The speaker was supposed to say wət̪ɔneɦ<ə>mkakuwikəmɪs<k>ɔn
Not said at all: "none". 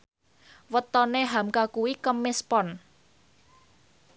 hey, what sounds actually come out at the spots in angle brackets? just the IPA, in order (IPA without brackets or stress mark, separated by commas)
a, p